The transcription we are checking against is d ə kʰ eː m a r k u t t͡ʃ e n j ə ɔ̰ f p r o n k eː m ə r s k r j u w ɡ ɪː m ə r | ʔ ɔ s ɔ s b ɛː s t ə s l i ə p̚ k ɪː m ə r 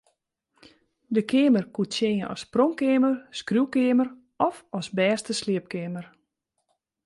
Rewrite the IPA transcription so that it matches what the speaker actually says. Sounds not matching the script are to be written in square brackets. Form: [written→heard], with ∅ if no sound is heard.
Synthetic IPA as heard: d ə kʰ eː m [a→ə] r k u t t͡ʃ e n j ə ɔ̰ [f→s] p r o [n→ŋ] k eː m ə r s k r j u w [ɡ→k] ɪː m ə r | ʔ ɔ [s→f] ɔ s b ɛː s t ə s l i ə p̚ k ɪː m ə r